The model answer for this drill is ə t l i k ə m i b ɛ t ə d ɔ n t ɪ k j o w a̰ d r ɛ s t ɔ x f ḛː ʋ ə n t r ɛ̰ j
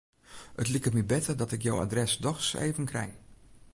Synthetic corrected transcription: ə t l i k ə m i b ɛ t ə d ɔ t ɪ k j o w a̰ d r ɛ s d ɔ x s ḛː v ə n k r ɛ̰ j